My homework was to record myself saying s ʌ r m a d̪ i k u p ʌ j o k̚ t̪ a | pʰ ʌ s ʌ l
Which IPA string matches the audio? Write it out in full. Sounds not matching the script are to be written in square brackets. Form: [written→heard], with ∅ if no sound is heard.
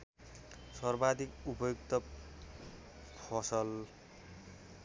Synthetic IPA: s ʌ r [m→b] a d̪ i k u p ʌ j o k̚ t̪ [a→ʌ] | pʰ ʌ s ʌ l

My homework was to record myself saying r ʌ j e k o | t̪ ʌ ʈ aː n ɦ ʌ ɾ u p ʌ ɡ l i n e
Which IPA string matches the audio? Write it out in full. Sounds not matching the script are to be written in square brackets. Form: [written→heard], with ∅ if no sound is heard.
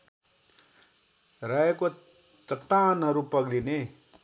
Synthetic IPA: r [ʌ→a] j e k o | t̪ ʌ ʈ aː n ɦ ʌ ɾ u p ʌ ɡ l i n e

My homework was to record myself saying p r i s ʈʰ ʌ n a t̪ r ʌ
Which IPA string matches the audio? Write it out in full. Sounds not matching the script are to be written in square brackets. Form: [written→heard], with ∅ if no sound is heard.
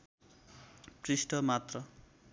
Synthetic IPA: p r i s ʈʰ ʌ [n→m] a t̪ r ʌ

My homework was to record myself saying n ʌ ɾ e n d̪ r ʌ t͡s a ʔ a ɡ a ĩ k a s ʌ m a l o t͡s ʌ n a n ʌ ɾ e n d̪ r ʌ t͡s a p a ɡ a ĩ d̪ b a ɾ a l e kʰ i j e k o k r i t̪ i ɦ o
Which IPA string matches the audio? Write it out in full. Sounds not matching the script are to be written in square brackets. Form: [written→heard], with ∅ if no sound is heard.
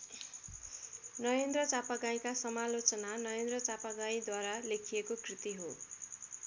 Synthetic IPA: n ʌ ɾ e n d̪ r ʌ t͡s a [ʔ→p] a ɡ a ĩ k a s ʌ m a l o t͡s ʌ n a n ʌ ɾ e n d̪ r ʌ t͡s a p a ɡ a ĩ d̪ [b→w] a ɾ a l e kʰ i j e k o k r i t̪ i ɦ o

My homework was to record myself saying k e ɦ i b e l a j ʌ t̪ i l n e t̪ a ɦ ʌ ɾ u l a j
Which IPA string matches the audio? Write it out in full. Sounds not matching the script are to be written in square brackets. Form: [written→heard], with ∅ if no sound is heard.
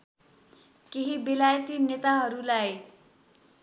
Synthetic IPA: k e ɦ i b e l a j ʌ t̪ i [l→∅] n e t̪ a ɦ ʌ ɾ u l a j

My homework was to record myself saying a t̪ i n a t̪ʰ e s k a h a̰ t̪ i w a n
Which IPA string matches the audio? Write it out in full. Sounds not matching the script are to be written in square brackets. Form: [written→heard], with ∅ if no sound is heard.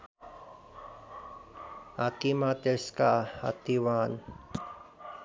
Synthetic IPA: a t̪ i [n→m] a [t̪ʰ→t̪] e s k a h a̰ t̪ i w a n

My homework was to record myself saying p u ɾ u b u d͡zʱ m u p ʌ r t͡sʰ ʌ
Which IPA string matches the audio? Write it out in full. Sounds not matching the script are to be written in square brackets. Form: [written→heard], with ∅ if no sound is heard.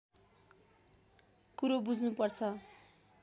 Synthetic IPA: [p→k] u ɾ [u→o] b u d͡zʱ [m→n] u p ʌ r t͡sʰ ʌ

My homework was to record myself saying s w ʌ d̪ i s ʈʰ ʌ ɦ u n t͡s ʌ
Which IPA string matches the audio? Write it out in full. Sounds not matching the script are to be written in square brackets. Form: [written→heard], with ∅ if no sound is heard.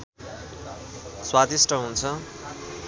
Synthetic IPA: s w [ʌ→a] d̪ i s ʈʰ ʌ ɦ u n [t͡s→t͡sʰ] ʌ

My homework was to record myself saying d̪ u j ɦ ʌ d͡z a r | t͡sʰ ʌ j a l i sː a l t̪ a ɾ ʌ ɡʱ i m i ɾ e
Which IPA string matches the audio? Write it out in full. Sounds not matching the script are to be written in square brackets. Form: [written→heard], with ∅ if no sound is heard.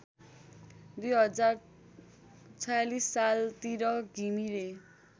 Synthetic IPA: d̪ u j ɦ ʌ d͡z a r | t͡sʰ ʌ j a l i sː a l t̪ [a→i] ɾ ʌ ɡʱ i m i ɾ e

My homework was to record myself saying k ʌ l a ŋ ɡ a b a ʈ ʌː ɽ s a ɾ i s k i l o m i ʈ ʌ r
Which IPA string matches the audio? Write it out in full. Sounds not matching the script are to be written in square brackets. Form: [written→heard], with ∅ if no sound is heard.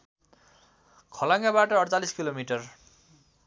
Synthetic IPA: [k→kʰ] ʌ l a ŋ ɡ a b a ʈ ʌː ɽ [s→t͡s] a [ɾ→l] i s k i l o m i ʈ ʌ r

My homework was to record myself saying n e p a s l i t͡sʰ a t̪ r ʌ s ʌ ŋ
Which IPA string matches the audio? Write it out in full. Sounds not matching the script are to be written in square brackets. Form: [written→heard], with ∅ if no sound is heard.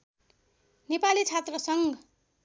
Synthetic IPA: n e p a [s→∅] l i t͡sʰ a t̪ r ʌ s ʌ ŋ

